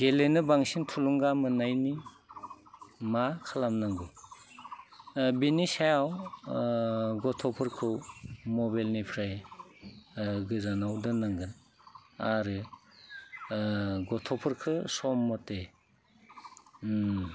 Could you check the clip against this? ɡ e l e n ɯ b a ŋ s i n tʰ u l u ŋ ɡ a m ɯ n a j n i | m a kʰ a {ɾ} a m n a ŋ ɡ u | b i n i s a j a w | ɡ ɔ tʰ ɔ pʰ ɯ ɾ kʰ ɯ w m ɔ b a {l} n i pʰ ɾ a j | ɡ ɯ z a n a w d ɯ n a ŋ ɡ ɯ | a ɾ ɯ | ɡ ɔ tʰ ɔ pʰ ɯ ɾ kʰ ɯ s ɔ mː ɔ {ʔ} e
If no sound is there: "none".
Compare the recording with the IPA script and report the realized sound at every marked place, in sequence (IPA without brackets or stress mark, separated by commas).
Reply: l, l, t